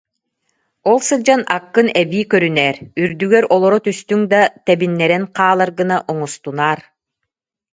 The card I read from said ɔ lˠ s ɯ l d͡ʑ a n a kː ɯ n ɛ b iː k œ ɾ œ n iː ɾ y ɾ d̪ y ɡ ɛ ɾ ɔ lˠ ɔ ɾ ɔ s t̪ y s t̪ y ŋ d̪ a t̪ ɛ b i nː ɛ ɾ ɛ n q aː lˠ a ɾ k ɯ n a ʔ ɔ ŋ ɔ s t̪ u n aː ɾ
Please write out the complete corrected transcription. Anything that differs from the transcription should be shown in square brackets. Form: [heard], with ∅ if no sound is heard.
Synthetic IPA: ɔ lˠ s ɯ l d͡ʑ a n a kː ɯ n ɛ b iː k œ ɾ [y] n [ɛː] ɾ y ɾ d̪ y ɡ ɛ ɾ ɔ lˠ ɔ ɾ ɔ [∅] t̪ y s t̪ y ŋ d̪ a t̪ ɛ b i nː ɛ ɾ ɛ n q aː lˠ a ɾ [ɡ] ɯ n a ʔ ɔ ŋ ɔ s t̪ u n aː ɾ